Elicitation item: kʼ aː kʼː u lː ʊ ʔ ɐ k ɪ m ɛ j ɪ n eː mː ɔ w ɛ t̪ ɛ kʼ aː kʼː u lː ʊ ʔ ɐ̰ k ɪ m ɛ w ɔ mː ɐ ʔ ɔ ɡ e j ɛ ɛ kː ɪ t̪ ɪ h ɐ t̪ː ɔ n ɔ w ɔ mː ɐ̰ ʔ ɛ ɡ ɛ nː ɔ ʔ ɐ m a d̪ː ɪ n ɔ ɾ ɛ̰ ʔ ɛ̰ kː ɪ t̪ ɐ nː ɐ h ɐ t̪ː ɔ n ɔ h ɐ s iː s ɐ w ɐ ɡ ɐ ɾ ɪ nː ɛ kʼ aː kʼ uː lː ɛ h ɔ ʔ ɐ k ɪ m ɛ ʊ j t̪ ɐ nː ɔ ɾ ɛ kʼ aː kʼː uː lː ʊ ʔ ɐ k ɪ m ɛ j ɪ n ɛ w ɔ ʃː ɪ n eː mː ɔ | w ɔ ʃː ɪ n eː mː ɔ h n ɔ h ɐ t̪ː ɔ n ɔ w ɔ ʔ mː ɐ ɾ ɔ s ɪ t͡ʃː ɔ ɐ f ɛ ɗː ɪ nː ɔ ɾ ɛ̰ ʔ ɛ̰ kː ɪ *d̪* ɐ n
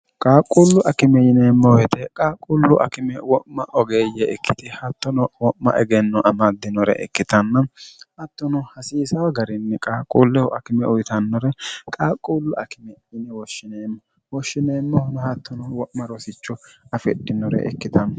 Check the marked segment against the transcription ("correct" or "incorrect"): incorrect